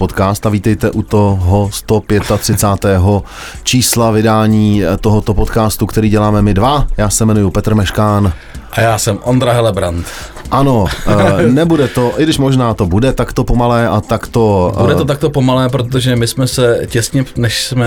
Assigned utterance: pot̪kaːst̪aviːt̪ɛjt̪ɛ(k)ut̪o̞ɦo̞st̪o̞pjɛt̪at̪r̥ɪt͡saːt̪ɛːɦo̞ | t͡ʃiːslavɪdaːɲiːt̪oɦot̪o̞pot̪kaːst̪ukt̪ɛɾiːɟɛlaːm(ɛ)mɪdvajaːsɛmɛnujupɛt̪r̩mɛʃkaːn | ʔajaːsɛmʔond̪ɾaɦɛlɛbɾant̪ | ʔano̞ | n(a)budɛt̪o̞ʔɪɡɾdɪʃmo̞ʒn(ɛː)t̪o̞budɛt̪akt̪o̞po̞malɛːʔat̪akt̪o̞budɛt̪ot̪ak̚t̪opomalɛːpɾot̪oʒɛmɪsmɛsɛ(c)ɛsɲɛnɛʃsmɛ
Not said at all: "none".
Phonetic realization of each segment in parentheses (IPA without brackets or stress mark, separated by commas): ʔ, ɛ, ɛ, aː, c